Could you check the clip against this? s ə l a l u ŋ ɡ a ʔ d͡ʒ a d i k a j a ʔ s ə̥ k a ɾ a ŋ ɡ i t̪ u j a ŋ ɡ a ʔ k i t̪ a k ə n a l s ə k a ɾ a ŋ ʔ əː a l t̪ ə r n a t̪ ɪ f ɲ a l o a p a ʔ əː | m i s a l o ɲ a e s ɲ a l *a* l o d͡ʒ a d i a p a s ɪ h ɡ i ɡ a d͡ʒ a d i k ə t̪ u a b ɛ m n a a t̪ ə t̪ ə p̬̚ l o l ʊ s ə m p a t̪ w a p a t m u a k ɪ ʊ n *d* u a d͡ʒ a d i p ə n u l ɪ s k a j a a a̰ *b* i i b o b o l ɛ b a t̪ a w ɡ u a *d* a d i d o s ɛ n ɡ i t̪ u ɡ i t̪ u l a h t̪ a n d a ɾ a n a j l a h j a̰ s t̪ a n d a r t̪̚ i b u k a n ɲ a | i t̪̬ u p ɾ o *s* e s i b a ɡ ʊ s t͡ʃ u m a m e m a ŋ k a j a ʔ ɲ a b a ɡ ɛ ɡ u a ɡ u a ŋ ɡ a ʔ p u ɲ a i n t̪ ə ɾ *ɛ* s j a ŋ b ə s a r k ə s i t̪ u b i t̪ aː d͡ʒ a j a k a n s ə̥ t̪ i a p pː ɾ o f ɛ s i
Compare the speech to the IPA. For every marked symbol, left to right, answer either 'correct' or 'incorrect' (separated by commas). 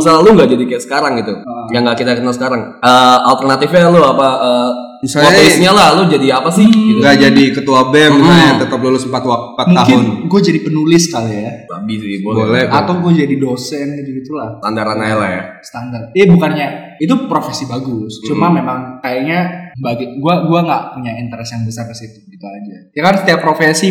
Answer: correct, incorrect, correct, incorrect, incorrect, correct